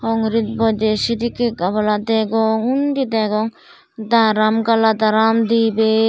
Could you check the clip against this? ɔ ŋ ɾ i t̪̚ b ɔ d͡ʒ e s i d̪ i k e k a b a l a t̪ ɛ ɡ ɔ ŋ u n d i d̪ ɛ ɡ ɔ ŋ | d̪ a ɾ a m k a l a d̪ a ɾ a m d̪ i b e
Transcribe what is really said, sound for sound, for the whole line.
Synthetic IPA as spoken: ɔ ŋ ɾ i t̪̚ b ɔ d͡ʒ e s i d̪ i k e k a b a l a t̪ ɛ ɡ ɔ ŋ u n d i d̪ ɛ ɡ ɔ ŋ | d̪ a ɾ a m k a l a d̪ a ɾ a m d̪ i b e